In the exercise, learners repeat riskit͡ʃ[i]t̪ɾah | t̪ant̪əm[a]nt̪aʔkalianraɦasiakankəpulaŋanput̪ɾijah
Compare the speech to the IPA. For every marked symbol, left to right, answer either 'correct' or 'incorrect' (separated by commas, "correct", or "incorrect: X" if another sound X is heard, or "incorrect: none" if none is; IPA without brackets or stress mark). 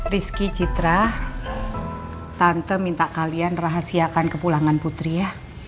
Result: correct, incorrect: i